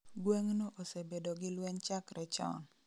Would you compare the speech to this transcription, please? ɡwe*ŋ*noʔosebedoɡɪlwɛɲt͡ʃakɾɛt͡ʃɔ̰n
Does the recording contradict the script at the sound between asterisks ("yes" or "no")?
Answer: no